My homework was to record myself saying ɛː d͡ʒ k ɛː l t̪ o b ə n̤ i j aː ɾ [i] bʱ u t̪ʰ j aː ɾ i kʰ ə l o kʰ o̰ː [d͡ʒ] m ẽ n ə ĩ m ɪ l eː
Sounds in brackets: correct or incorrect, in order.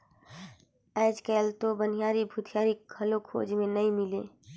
correct, correct

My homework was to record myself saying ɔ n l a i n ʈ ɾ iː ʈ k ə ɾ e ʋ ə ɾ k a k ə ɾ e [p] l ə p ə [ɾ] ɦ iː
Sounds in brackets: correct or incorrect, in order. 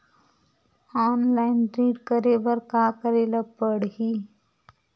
incorrect: none, incorrect: ɽ

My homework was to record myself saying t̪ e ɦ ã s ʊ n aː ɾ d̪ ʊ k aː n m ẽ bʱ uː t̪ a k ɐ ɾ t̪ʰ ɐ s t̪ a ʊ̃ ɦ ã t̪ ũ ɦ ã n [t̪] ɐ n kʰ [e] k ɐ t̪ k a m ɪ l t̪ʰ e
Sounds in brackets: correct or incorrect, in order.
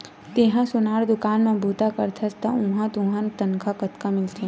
correct, incorrect: a

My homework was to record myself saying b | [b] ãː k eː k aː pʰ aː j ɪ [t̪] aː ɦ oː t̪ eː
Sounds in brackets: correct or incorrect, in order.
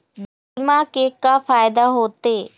incorrect: m, incorrect: d̪

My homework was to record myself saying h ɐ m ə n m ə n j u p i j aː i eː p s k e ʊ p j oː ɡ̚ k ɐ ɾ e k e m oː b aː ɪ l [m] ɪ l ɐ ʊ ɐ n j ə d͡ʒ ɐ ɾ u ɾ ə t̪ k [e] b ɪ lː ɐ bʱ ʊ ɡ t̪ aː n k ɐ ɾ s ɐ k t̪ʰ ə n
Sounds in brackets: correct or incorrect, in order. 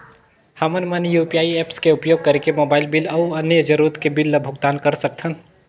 incorrect: b, correct

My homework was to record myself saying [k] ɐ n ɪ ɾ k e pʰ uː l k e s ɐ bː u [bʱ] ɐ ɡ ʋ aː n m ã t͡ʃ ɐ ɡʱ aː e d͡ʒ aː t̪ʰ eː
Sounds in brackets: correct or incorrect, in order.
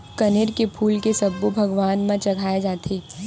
correct, correct

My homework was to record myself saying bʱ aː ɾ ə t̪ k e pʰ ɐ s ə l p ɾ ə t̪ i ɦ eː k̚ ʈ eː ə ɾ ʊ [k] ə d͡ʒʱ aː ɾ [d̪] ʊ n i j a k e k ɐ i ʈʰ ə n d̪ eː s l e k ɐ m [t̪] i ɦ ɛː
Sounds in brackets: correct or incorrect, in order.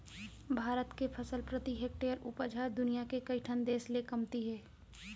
incorrect: p, correct, correct

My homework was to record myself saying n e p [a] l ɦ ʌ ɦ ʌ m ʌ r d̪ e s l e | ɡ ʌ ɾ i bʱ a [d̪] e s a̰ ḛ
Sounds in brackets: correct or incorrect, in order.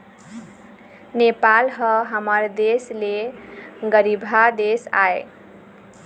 correct, correct

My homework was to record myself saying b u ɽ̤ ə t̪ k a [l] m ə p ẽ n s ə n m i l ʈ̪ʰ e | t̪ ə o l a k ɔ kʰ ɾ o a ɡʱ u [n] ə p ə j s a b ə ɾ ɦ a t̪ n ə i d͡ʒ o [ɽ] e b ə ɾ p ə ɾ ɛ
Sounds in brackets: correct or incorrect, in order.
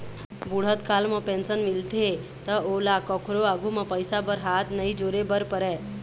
correct, incorrect: m, incorrect: ɾ

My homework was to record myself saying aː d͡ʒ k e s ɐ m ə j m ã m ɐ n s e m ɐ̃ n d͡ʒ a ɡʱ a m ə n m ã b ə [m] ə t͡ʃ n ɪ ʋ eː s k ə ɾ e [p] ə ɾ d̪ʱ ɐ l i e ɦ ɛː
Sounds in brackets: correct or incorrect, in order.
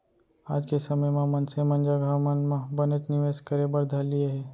incorrect: n, incorrect: b

